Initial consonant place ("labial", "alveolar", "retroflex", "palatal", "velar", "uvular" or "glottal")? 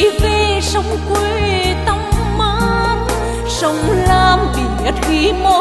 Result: labial